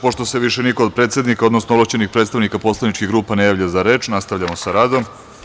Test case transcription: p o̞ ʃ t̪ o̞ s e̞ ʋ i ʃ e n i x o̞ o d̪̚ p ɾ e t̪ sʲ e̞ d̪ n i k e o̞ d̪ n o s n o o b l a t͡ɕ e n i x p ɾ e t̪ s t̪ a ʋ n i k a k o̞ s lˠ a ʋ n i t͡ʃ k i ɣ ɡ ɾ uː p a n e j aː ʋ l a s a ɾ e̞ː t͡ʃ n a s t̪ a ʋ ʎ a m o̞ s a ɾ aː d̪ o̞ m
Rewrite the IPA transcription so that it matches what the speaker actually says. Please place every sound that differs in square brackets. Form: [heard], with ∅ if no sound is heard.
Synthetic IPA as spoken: p o̞ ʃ t̪ o̞ s e̞ ʋ i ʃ e n i [k] o̞ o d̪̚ p ɾ e t̪ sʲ e̞ d̪ n i k [a] o̞ d̪ n o s n o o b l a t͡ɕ e n i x p ɾ e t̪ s t̪ a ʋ n i k a [p] o̞ s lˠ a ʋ n i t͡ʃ k i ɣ ɡ ɾ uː p a n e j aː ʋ [ʎ] a [z] a ɾ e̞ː t͡ʃ n a s t̪ a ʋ ʎ a m o̞ s a ɾ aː d̪ o̞ m